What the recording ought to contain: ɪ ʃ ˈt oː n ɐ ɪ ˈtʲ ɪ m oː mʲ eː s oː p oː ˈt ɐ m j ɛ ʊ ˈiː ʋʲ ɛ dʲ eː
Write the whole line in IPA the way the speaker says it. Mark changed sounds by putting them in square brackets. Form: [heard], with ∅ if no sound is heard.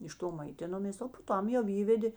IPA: ɪ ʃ ˈt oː [m] ɐ ɪ ˈtʲ ɪ [n] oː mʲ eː s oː p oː ˈt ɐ m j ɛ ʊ ˈiː ʋʲ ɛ dʲ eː